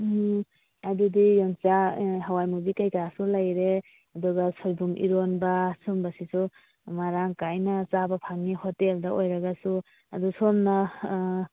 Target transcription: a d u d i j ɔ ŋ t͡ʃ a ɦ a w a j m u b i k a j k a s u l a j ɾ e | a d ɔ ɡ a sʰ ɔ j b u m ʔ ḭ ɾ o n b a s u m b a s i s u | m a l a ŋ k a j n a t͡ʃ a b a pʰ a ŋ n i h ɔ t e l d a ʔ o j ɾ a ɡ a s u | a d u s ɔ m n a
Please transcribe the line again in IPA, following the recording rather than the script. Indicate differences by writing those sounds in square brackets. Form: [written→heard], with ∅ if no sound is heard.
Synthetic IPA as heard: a d u d i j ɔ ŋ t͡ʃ a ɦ a w a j m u b i k a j k a s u l a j ɾ e | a d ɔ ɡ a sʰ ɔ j b u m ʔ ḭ ɾ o n b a s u m b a s i s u | m a [l→ɾ] a ŋ k a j n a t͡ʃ a b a pʰ a ŋ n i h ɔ t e l d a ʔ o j ɾ a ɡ a s u | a d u s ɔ m n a